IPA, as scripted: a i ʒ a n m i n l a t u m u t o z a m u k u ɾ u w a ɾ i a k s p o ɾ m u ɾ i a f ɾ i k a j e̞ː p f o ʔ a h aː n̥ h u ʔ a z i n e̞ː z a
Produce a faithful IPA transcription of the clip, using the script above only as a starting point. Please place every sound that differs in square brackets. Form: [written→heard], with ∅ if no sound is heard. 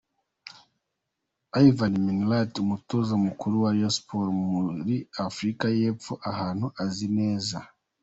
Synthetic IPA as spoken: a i [ʒ→v] a n m i n l a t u m u t o z a m u k u ɾ u w a ɾ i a [k→∅] s p o ɾ m u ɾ i a f ɾ i k a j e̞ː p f o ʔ a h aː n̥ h u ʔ a z i n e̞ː z a